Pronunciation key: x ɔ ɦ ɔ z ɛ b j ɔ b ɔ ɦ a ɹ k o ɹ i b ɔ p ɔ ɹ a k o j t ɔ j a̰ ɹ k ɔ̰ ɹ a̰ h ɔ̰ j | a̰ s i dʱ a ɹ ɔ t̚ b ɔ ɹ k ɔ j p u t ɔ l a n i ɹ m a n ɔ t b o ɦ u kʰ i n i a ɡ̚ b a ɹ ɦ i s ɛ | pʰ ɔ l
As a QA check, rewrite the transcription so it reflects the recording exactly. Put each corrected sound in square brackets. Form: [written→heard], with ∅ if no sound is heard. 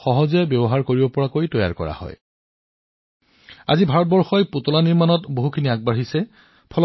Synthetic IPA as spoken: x ɔ ɦ ɔ z ɛ b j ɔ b ɔ ɦ a ɹ k o ɹ i b ɔ p ɔ ɹ a k o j t ɔ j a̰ ɹ k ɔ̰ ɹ a̰ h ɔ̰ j | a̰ [s→z] i [dʱ→bʱ] a ɹ ɔ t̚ b ɔ ɹ [k→x] ɔ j p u t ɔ l a n i ɹ m a n ɔ t b o ɦ u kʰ i n i a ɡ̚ b a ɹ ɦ i s ɛ | pʰ ɔ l